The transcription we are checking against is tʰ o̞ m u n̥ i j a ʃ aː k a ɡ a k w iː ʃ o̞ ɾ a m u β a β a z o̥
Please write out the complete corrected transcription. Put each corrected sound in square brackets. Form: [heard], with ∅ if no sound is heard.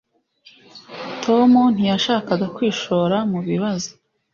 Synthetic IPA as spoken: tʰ o̞ m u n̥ i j a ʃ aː k a ɡ a k w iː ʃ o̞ ɾ a m u β [i] β a z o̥